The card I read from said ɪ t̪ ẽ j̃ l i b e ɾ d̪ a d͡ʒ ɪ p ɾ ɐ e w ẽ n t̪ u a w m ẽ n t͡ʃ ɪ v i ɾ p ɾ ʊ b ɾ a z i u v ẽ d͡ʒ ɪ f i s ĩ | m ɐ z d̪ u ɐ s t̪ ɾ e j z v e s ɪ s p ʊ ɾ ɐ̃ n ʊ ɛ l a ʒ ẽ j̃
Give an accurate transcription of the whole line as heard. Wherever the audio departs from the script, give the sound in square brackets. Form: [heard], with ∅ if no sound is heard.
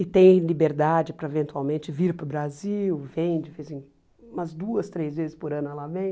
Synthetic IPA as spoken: ɪ t̪ ẽ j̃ l i b e ɾ d̪ a d͡ʒ ɪ p ɾ ɐ e [v] ẽ n t̪ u a w m ẽ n t͡ʃ ɪ v i ɾ p ɾ ʊ b ɾ a z i [w] v ẽ d͡ʒ ɪ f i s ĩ | m ɐ z d̪ u ɐ s t̪ ɾ e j z v e [z] ɪ s p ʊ ɾ ɐ̃ n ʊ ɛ l a [v] ẽ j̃